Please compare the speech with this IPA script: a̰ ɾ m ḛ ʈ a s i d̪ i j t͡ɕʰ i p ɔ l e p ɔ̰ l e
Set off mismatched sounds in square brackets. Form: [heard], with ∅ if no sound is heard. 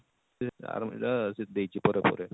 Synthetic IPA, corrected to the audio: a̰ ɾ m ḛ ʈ a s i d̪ [e] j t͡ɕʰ i p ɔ [ɾ] e p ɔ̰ [ɾ] e